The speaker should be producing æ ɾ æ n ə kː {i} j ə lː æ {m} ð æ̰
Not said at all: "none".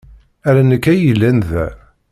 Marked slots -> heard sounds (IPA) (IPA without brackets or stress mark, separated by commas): æ, n